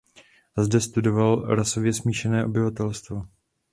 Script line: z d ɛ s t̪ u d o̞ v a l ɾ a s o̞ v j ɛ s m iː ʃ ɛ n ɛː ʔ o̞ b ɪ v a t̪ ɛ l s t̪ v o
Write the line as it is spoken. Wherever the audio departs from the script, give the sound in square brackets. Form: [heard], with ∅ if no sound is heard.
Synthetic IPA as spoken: z d ɛ s t̪ u d o̞ v a l ɾ a s o̞ v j ɛ s m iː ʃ ɛ n ɛː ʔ o̞ b ɪ v a t̪ ɛ l s t̪ v o

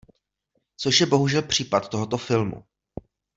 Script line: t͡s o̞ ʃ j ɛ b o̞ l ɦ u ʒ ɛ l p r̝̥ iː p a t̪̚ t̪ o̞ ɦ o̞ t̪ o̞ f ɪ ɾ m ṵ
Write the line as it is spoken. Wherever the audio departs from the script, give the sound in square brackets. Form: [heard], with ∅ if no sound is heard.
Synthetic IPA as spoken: t͡s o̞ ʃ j ɛ b o̞ [∅] ɦ u ʒ ɛ l p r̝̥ iː p a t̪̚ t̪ o̞ ɦ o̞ t̪ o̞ f ɪ [l] m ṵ

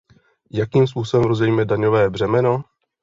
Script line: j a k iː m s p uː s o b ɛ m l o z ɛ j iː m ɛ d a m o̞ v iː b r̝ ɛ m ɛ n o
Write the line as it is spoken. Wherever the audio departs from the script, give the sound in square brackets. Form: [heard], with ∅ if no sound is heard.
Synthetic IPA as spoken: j a k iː m s p uː s o b ɛ m [ɾ] o z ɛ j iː m ɛ d a [ɲ] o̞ v [ɛː] b r̝ ɛ m ɛ n o

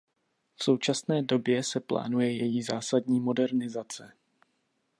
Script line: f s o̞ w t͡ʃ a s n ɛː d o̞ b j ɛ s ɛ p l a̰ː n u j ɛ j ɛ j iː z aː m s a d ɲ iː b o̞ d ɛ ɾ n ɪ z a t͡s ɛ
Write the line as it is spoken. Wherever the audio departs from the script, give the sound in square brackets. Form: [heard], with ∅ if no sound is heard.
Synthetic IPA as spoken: f s o̞ w t͡ʃ a s n ɛː d o̞ b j ɛ s ɛ p l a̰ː n u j ɛ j ɛ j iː z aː [∅] s a d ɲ iː [m] o̞ d ɛ ɾ n ɪ z a t͡s ɛ

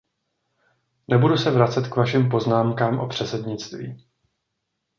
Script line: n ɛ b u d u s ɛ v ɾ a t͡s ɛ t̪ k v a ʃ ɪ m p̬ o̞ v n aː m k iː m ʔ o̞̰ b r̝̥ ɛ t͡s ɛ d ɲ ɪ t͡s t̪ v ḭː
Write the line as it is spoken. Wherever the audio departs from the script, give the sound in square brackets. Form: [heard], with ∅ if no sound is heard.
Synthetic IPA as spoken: n ɛ b u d u s ɛ v ɾ a t͡s ɛ t̪ k v a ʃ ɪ m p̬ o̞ [z] n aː m k [aː] m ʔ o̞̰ [p] r̝̥ ɛ t͡s ɛ d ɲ ɪ t͡s t̪ v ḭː

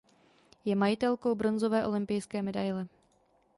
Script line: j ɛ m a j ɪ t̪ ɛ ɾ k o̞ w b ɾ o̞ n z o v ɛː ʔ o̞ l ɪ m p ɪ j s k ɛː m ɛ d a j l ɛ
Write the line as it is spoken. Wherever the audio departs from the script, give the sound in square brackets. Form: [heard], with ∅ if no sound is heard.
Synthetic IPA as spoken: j ɛ m a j ɪ t̪ ɛ [l] k o̞ w b ɾ o̞ n z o v ɛː ʔ o̞ l ɪ m p ɪ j s k ɛː m ɛ d a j l ɛ

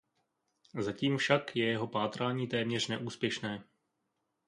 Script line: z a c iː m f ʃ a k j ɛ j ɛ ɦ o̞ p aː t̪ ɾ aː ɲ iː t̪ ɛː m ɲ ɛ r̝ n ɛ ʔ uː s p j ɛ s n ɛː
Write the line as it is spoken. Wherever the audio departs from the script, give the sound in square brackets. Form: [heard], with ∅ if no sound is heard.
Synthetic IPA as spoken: z a c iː m f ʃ a k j ɛ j ɛ ɦ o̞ p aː t̪ ɾ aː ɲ iː t̪ ɛː m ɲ ɛ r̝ n ɛ ʔ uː s p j ɛ [ʃ] n ɛː

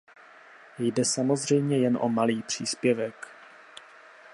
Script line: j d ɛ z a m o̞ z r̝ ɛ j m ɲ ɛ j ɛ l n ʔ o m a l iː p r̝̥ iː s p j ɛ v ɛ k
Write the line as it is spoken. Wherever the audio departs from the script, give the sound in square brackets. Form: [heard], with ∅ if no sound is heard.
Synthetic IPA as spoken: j d ɛ [s] a m o̞ z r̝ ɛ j m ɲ ɛ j ɛ [∅] n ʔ o m a l iː p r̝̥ iː s p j ɛ v ɛ k

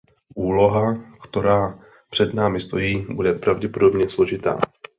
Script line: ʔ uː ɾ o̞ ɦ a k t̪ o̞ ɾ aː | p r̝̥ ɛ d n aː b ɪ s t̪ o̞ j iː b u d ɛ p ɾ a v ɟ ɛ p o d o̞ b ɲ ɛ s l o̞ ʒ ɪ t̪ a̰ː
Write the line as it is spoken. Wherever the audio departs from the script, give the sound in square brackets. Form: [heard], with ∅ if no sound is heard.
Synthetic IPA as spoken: ʔ uː [l] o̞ ɦ a k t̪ o̞ ɾ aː | p r̝̥ ɛ d n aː [m] ɪ s t̪ o̞ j iː b u d ɛ p ɾ a v ɟ ɛ p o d o̞ b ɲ ɛ s l o̞ ʒ ɪ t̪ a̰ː

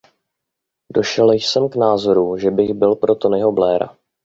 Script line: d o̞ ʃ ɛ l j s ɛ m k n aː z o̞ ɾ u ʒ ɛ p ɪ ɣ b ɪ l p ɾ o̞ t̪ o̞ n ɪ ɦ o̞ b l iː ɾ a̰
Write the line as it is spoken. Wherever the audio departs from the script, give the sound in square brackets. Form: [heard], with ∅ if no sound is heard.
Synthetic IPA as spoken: d o̞ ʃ ɛ l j s ɛ m k n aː z o̞ ɾ u ʒ ɛ [b] ɪ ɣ b ɪ l p ɾ o̞ t̪ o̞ n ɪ ɦ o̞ b l [ɛː] ɾ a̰

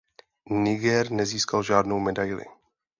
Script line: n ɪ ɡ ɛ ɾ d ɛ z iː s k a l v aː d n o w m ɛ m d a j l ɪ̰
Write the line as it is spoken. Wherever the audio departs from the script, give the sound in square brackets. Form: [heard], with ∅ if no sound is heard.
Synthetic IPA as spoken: n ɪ ɡ ɛ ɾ [n] ɛ z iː s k a l [ʒ] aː d n o w m ɛ [∅] d a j l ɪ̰

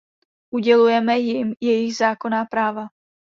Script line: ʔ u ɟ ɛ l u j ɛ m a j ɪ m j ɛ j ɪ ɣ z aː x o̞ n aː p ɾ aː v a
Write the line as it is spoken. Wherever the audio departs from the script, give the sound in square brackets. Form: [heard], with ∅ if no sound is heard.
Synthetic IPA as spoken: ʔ u ɟ ɛ l u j ɛ m [ɛ] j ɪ m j ɛ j ɪ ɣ z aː [k] o̞ n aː p ɾ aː v a

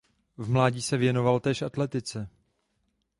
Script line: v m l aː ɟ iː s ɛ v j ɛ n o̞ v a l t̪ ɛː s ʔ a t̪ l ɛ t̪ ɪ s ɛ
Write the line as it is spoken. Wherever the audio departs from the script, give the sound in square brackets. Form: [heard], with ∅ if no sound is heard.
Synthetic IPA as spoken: v m l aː ɟ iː s ɛ v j ɛ n o̞ v a l t̪ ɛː [ʃ] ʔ a t̪ l ɛ t̪ ɪ [t͡s] ɛ

